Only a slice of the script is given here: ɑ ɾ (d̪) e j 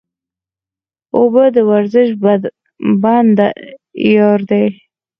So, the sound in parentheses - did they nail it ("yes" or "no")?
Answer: yes